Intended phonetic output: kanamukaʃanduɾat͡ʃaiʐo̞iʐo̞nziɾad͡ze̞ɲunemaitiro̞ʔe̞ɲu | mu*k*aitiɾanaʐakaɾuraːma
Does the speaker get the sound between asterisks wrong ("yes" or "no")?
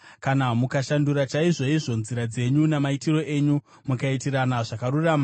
no